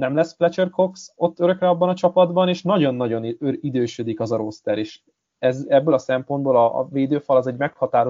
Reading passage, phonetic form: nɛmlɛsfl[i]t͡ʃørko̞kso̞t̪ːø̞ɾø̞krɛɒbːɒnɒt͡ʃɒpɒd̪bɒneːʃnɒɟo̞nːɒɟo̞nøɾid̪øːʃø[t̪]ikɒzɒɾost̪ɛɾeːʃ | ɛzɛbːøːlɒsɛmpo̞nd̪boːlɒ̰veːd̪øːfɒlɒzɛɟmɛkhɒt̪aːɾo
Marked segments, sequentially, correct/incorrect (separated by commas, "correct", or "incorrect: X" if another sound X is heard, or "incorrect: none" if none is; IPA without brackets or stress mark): incorrect: ɛ, incorrect: d̪